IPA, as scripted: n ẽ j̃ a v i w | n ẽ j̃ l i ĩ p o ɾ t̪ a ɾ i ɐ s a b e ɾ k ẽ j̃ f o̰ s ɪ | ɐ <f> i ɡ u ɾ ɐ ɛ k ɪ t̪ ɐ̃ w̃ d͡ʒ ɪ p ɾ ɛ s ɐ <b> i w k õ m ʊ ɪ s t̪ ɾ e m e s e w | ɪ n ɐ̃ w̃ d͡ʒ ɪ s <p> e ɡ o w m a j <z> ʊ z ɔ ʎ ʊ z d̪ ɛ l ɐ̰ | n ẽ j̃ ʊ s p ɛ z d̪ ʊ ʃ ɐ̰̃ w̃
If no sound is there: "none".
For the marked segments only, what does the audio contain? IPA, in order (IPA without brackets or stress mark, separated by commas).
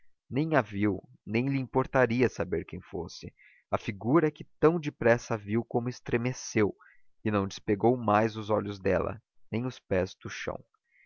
f, v, p, z